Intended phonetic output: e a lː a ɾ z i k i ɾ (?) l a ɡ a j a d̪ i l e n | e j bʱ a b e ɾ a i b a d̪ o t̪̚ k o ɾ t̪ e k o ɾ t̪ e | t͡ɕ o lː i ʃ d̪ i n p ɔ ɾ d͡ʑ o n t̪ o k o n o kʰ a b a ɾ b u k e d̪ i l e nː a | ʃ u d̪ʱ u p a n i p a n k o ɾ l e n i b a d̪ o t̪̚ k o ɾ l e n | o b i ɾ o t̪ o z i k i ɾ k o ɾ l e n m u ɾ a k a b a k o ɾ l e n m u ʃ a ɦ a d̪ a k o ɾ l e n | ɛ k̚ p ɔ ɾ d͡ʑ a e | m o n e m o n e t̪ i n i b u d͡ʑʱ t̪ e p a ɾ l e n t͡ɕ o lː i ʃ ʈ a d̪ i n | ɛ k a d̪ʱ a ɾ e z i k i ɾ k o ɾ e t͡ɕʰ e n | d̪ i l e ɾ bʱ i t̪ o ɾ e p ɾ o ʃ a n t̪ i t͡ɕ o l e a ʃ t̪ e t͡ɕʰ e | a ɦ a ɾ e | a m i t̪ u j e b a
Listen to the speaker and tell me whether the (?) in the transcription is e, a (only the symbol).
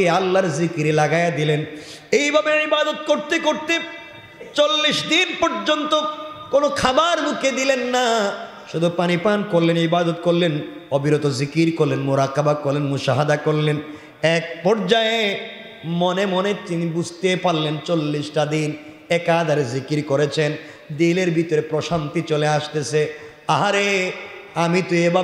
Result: e